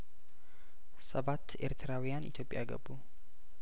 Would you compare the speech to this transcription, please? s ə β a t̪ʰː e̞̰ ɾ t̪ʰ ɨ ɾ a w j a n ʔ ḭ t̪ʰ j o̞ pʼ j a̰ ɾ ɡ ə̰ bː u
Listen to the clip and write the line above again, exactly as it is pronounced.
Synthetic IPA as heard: s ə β a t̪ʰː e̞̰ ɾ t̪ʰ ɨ ɾ a w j a n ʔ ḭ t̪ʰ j o̞ pʼ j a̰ ɡ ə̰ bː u